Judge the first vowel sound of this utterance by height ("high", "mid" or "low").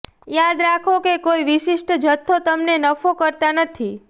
low